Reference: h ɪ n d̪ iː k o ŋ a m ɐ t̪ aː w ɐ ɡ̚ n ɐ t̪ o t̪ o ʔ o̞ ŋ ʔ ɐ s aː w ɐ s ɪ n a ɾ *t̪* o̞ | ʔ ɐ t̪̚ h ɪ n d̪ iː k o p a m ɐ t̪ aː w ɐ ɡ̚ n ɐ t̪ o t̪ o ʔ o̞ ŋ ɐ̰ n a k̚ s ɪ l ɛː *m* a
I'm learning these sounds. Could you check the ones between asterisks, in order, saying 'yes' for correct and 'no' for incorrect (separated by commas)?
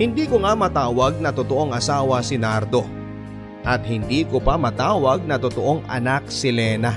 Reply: no, no